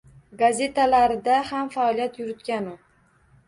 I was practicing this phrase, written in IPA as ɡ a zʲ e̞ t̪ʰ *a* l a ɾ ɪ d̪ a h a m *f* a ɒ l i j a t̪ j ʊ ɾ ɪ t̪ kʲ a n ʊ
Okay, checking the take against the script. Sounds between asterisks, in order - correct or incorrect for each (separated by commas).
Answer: correct, correct